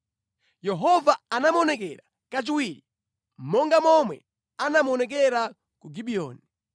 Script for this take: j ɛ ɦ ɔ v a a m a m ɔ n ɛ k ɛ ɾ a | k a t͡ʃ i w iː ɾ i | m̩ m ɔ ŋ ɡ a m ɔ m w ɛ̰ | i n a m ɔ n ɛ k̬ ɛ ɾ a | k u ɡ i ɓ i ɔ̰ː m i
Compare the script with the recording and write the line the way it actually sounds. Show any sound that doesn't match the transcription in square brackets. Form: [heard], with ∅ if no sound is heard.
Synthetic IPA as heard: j ɛ ɦ ɔ v a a [n] a m ɔ n ɛ k ɛ ɾ a | k a t͡ʃ i w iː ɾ i | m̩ m ɔ ŋ ɡ a m ɔ m w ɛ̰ | [a] n a m ɔ n ɛ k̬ ɛ ɾ a | k u ɡ i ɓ i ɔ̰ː [n] i